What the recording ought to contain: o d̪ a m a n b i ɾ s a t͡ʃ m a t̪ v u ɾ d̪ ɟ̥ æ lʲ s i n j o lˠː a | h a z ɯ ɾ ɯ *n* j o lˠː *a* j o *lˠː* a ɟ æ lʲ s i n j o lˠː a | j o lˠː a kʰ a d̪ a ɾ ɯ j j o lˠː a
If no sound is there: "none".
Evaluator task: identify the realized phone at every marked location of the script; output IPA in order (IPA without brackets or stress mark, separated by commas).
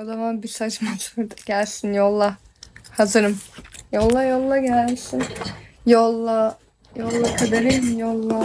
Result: m, a, lˠː